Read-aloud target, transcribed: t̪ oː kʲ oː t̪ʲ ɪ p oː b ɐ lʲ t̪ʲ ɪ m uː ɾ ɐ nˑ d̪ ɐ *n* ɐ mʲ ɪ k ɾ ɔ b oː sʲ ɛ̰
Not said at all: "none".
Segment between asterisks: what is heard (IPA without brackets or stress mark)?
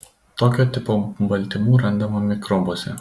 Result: m